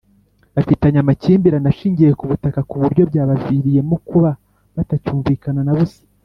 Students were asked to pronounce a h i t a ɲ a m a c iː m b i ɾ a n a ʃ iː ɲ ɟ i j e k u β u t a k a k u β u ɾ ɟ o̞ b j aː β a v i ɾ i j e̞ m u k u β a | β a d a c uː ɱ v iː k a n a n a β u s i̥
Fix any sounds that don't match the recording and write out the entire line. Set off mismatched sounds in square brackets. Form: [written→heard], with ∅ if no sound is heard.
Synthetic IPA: a [h→f] i t a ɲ a m a c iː m b i ɾ a n a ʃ iː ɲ ɟ i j e k u β u t a k a k u β u ɾ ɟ o̞ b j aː β a v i ɾ i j e̞ m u k u β a | β a [d→t] a c uː ɱ v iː k a n a n a β u s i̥